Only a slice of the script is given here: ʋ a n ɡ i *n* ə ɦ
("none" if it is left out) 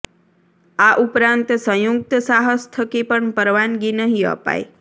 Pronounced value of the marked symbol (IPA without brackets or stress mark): n